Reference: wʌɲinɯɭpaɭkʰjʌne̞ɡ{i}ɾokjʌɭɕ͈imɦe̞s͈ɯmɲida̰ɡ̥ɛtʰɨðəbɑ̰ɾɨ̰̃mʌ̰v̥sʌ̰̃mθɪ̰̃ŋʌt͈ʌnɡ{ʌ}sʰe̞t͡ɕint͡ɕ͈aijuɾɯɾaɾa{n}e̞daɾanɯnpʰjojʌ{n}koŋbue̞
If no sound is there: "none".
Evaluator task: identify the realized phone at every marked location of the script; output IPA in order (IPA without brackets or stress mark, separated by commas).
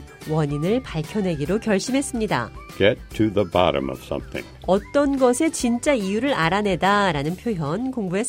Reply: i, ʌ, n, n